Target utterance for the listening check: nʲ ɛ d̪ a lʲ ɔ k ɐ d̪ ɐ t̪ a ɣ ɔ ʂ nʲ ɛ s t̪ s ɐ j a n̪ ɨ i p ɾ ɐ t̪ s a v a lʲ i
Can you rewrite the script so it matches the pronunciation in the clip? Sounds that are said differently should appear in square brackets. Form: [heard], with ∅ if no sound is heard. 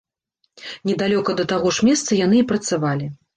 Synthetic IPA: nʲ ɛ d̪ a lʲ ɔ k ɐ d̪ ɐ t̪ a ɣ ɔ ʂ [mʲ] ɛ s t̪ s ɐ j a n̪ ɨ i p ɾ ɐ t̪ s a v a lʲ i